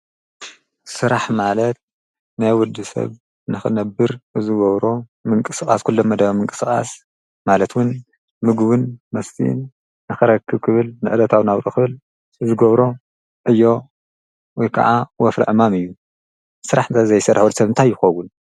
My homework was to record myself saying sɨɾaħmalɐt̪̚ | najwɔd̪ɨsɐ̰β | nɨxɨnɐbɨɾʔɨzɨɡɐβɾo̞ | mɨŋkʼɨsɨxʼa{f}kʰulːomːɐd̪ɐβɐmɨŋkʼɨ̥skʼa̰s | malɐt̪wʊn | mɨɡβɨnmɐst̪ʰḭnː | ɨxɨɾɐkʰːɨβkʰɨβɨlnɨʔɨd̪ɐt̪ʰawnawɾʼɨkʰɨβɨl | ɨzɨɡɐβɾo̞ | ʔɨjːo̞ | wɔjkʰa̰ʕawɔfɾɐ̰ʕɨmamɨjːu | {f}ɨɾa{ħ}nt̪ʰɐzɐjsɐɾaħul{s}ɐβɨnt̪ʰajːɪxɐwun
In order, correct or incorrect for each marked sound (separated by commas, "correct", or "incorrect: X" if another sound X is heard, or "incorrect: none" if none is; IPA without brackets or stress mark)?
incorrect: s, incorrect: s, correct, correct